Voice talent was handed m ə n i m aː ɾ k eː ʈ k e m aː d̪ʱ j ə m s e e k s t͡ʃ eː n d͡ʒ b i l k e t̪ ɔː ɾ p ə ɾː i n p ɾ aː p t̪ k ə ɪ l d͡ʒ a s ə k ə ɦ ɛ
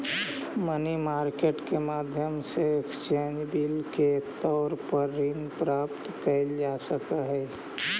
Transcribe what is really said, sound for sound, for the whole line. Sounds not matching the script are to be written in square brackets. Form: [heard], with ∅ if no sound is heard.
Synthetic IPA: m ə n i m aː ɾ k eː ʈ k e m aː d̪ʱ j ə m s e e k s t͡ʃ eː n d͡ʒ b i l k e t̪ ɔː ɾ p ə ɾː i n p ɾ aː p t̪ k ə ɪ l d͡ʒ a s ə k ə ɦ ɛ

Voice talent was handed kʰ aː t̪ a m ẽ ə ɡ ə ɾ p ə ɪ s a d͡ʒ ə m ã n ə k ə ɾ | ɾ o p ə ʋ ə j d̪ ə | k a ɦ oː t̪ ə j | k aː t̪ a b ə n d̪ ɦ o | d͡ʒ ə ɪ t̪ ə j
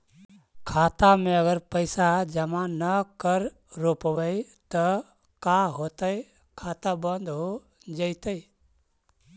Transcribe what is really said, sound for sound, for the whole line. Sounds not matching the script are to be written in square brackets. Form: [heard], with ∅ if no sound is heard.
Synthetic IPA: kʰ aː t̪ a m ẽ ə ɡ ə ɾ p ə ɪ s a d͡ʒ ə m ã n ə k ə ɾ | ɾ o p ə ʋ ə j [t̪] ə | k a ɦ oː t̪ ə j | [kʰ] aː t̪ a b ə n d̪ ɦ o | d͡ʒ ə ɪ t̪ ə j

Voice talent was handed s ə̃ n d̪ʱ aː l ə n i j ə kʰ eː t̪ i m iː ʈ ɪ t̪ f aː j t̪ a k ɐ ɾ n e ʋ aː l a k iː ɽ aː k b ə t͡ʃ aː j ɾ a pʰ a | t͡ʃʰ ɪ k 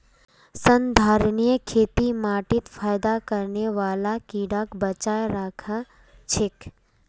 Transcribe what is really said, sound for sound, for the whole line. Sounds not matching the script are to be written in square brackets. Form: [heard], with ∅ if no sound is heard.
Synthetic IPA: s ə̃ n d̪ʱ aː [ɾ] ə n i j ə kʰ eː t̪ i m [aː] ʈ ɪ t̪ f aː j [d̪] a k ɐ ɾ n e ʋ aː l a k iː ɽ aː k b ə t͡ʃ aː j ɾ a [kʰ] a | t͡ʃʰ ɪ k

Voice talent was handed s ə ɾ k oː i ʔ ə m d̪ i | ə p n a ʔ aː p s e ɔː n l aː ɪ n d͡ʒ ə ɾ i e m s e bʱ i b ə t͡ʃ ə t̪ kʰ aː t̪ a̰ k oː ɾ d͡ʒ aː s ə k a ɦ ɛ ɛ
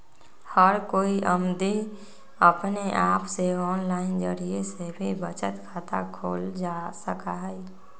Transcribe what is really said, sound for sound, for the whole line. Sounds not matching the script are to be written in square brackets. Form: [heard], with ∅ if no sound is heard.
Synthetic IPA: [h] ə ɾ k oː i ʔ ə m d̪ i | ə p n [e] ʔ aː p s e ɔː n l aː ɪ n d͡ʒ ə ɾ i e [∅] s e bʱ i b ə t͡ʃ ə t̪ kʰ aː t̪ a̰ [kʰ] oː [l] d͡ʒ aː s ə k a ɦ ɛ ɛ

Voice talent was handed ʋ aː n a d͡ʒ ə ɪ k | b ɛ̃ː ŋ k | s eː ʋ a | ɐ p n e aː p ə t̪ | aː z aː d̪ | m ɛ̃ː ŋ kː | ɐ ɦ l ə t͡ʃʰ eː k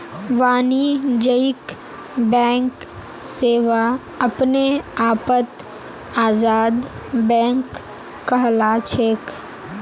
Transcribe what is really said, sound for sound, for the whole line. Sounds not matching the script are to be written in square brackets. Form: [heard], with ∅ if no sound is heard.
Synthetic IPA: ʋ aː n [i] d͡ʒ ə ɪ k | b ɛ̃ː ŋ k | s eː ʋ a | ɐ p n e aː p ə t̪ | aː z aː d̪ | [b] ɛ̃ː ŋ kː | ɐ ɦ l [a] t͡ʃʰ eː k

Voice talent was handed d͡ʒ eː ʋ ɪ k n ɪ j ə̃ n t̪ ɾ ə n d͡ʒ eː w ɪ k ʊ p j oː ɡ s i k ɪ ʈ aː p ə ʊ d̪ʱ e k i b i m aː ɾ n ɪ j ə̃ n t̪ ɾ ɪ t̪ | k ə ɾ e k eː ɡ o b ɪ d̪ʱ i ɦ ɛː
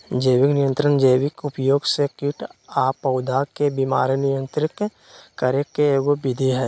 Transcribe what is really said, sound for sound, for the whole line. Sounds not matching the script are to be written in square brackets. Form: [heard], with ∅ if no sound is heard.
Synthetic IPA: d͡ʒ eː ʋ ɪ k n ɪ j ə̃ n t̪ ɾ ə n d͡ʒ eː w ɪ k ʊ p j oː ɡ s [e] k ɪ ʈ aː p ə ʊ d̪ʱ [a] k [e] b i m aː ɾ n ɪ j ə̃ n t̪ ɾ ɪ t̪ | k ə ɾ e k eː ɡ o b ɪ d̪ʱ i ɦ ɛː

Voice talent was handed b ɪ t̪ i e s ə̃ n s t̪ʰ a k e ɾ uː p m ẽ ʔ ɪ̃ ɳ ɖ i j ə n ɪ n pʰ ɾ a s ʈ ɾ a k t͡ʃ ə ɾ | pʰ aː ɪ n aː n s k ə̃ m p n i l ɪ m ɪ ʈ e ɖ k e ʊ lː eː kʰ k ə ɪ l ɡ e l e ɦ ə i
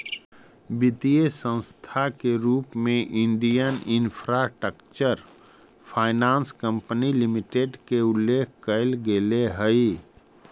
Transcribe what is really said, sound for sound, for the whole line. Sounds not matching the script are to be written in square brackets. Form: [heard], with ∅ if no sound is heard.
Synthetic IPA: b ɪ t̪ i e s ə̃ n s t̪ʰ a k e ɾ uː p m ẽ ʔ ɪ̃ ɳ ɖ i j ə n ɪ n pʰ ɾ a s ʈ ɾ [ə] k t͡ʃ ə ɾ | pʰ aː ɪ n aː n s k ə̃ m p n i l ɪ m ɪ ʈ e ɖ k e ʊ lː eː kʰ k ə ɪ l ɡ e l e ɦ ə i

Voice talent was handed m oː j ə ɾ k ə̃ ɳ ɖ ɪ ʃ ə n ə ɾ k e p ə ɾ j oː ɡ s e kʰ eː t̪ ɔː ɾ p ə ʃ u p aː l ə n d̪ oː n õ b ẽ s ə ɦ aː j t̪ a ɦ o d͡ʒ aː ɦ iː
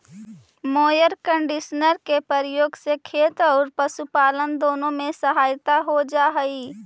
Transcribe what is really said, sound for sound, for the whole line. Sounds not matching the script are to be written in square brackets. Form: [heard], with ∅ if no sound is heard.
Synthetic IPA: m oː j ə ɾ k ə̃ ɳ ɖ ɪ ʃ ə n ə ɾ k e p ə ɾ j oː ɡ s e kʰ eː t̪ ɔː ɾ p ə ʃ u p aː l ə n d̪ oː n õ [m] ẽ s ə ɦ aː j t̪ a ɦ o d͡ʒ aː ɦ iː

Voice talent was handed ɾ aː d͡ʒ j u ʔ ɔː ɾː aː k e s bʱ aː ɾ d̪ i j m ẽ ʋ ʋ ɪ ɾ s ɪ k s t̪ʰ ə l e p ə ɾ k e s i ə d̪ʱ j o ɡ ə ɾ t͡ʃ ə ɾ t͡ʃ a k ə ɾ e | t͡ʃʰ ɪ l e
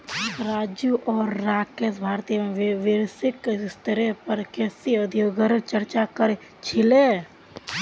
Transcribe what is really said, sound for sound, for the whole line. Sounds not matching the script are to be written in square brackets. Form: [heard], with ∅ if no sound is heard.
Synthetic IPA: ɾ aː d͡ʒ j u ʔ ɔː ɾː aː k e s bʱ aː ɾ [t̪] i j m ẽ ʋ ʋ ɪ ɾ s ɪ k s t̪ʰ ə [ɾ] e p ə ɾ k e s i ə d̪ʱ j o ɡ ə ɾ t͡ʃ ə ɾ t͡ʃ a k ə ɾ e | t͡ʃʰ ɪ l e

